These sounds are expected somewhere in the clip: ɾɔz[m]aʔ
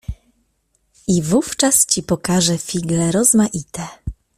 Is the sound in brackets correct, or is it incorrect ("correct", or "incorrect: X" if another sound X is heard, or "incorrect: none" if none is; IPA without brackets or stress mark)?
correct